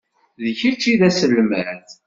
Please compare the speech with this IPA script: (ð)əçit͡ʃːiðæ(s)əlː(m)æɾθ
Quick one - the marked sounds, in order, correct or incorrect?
correct, correct, correct

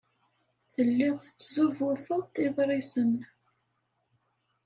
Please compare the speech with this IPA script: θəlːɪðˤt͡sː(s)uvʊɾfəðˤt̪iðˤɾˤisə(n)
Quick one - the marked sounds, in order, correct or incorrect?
incorrect: z, correct

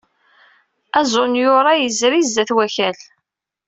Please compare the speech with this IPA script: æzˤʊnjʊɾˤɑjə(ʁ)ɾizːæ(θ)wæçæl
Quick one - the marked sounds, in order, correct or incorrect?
incorrect: z, correct

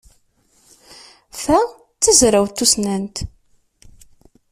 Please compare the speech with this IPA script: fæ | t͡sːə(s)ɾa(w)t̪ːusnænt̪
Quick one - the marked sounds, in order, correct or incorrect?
incorrect: z, correct

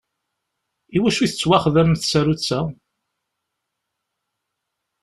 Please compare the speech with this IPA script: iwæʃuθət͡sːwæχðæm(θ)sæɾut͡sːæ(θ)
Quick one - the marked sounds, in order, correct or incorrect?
correct, incorrect: none

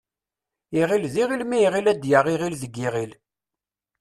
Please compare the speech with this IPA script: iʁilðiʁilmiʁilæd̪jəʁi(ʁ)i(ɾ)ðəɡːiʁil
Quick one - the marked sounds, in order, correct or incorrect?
correct, incorrect: l

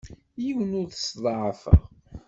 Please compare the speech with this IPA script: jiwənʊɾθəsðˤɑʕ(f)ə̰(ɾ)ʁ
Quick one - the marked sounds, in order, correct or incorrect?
correct, incorrect: none

